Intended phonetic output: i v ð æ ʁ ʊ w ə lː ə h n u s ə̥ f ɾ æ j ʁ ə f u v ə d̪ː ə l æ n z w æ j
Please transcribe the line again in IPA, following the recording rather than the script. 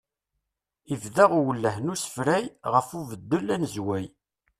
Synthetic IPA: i v ð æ ʁ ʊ w ə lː ə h n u s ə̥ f ɾ æ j ʁ ə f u v ə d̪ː ə l æ n z w æ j